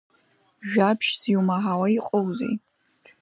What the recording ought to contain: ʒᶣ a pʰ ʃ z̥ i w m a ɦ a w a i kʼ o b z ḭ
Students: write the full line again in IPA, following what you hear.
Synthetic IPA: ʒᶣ a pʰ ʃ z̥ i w m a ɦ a w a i qʼ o w z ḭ